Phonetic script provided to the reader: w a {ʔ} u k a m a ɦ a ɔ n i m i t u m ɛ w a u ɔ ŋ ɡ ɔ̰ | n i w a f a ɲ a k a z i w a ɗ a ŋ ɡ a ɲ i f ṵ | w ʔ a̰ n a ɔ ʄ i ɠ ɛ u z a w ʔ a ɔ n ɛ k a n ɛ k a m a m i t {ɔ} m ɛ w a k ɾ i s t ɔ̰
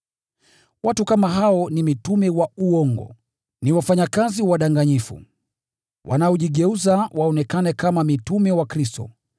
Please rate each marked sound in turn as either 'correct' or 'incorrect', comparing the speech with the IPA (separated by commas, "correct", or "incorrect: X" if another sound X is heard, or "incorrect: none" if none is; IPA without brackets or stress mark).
incorrect: t, incorrect: u